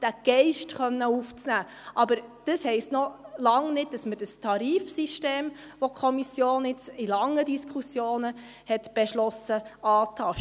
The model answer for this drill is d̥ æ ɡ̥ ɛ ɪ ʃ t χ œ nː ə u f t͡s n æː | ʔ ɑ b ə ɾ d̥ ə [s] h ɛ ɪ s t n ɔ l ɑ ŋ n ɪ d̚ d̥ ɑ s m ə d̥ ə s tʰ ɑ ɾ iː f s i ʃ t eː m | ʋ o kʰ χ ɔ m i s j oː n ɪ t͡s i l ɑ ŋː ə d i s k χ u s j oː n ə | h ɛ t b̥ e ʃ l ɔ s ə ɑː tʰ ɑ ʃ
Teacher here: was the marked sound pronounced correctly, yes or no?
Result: yes